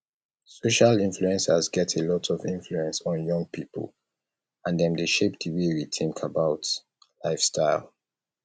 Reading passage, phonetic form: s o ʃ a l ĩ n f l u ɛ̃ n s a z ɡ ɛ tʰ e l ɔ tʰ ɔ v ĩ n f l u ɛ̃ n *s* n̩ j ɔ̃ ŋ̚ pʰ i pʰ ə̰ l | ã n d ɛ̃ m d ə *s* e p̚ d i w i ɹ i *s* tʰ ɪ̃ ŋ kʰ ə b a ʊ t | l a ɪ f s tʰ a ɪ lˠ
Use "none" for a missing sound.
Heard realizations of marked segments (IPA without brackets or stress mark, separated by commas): s, ʃ, none